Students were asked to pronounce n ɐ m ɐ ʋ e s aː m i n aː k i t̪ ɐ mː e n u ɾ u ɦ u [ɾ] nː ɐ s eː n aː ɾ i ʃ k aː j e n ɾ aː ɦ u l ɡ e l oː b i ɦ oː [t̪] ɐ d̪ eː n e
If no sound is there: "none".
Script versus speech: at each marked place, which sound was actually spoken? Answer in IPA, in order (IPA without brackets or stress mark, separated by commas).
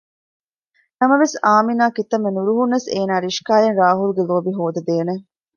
none, d̪